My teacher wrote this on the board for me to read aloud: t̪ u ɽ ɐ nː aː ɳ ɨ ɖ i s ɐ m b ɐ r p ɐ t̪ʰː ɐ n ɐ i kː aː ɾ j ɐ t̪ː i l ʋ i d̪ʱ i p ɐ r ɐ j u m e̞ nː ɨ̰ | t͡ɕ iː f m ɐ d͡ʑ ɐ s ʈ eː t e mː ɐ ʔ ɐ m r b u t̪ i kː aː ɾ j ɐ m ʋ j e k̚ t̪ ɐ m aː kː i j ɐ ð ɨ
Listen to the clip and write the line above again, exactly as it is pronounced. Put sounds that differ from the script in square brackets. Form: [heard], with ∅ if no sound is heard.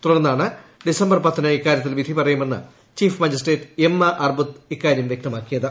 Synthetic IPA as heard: t̪ u ɽ ɐ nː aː ɳ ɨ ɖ i s ɐ m b ɐ r p ɐ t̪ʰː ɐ n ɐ i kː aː ɾ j ɐ t̪ː i l ʋ i d̪ʱ i p ɐ r ɐ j u m e̞ nː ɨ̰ | t͡ɕ iː f m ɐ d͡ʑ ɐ s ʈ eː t e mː ɐ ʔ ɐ [∅] r b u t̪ i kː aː ɾ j ɐ m ʋ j e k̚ t̪ ɐ m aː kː i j ɐ ð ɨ